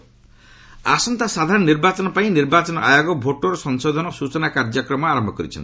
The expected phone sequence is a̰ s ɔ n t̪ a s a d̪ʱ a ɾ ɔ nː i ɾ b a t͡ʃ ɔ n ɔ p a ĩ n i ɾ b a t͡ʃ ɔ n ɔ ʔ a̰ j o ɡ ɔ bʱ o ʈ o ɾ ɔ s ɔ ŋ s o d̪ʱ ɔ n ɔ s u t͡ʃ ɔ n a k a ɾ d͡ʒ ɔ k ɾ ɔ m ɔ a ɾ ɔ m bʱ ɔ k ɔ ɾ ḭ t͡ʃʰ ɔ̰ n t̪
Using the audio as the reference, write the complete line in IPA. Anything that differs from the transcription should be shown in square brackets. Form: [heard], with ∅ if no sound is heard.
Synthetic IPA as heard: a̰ s ɔ n t̪ a s a d̪ʱ a ɾ ɔ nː i ɾ b a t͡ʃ ɔ n ɔ p a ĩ n i ɾ b a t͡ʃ ɔ n ɔ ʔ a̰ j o ɡ ɔ bʱ o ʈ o ɾ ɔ s ɔ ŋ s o d̪ʱ ɔ n ɔ s u t͡ʃ ɔ n a k a ɾ d͡ʒ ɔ k ɾ ɔ m ɔ a ɾ ɔ m bʱ ɔ k ɔ ɾ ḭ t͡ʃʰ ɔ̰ n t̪